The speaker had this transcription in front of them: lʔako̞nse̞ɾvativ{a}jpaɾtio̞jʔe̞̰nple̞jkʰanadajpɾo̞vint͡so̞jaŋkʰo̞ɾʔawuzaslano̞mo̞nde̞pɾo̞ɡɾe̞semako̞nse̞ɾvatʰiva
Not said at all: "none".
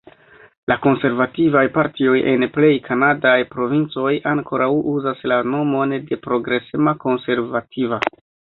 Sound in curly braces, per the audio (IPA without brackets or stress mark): a